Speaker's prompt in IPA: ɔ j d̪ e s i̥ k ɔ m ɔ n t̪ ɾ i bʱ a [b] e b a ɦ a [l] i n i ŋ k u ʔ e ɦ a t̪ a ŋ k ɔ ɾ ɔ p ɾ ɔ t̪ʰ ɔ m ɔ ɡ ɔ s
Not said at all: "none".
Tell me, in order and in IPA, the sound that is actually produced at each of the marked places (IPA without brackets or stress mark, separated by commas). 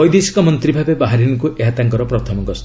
b, ɾ